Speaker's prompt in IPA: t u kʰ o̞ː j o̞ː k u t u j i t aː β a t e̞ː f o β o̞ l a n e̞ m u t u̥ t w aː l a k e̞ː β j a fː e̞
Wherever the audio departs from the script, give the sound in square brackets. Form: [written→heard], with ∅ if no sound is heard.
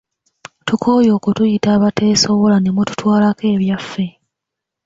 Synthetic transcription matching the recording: t u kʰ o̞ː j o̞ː k u t u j i t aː β a t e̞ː [f→s] o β o̞ l a n e̞ m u t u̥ t w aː l a k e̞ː β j a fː e̞